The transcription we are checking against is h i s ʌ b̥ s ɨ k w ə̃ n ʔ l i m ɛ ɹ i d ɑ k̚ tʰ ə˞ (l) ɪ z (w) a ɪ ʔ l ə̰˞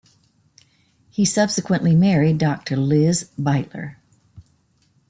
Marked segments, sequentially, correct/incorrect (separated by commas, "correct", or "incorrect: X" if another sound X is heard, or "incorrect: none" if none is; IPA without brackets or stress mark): correct, incorrect: b